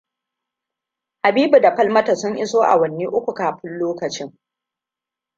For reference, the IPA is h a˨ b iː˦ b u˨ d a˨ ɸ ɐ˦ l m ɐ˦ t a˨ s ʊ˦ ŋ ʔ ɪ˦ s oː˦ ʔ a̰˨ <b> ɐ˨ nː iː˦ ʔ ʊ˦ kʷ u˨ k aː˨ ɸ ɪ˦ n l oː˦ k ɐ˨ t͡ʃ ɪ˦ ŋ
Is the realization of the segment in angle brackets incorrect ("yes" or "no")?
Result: yes